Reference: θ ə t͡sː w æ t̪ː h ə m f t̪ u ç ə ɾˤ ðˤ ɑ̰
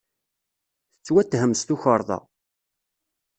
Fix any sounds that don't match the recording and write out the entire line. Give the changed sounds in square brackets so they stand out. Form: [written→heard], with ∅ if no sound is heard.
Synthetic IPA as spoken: θ ə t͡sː w æ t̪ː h ə m [f→s] t̪ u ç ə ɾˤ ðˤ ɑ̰